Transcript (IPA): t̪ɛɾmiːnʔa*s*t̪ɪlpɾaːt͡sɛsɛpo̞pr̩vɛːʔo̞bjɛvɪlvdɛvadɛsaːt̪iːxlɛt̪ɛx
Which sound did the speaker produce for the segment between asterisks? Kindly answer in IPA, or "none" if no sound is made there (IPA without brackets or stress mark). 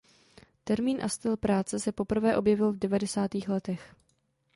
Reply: s